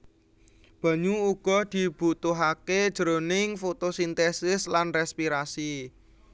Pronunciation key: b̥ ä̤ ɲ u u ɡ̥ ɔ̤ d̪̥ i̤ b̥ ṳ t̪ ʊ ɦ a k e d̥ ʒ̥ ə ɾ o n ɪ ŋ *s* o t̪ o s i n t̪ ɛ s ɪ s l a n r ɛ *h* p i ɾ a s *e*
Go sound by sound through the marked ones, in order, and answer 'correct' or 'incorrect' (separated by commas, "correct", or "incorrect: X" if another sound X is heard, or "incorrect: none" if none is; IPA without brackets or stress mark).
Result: incorrect: f, incorrect: s, incorrect: i